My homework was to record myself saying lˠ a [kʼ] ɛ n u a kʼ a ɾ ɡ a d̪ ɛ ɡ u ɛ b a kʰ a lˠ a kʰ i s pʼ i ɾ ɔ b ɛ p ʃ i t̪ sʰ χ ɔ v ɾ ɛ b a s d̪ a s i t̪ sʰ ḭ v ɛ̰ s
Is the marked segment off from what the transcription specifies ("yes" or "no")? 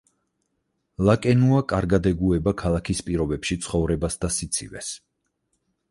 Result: no